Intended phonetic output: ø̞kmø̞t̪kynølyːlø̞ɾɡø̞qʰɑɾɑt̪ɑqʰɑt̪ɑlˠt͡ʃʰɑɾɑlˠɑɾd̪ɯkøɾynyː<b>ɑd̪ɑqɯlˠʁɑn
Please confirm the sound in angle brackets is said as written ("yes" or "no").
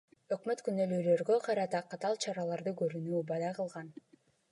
yes